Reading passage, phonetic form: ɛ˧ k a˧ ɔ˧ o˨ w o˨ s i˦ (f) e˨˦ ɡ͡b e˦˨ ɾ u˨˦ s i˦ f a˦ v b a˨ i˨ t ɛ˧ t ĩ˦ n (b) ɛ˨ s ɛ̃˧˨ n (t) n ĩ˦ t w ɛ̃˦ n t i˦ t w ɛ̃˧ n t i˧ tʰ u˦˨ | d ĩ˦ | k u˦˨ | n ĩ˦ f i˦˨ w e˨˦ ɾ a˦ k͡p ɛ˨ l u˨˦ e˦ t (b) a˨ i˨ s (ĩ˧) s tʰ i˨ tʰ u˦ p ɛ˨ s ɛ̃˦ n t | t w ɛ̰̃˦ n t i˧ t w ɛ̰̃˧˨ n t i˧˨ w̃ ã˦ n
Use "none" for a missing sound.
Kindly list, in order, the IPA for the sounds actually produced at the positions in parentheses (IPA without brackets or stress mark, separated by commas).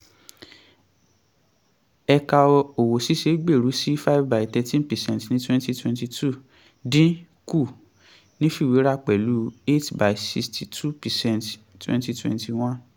ʃ, p, t, b, i˧